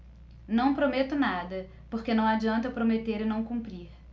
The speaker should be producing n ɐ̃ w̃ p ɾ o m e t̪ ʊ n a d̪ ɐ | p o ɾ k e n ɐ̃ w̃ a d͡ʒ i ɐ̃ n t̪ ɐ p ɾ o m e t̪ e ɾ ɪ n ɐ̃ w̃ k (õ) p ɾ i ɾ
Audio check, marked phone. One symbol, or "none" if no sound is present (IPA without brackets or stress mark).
ũ